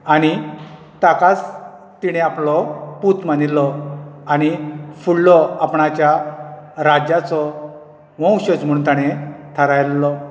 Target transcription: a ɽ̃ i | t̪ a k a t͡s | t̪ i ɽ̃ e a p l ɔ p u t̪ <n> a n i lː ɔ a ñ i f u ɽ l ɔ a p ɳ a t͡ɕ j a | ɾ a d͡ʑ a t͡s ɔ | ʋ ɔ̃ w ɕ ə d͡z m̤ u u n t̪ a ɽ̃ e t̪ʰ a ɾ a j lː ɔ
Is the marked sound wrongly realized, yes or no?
yes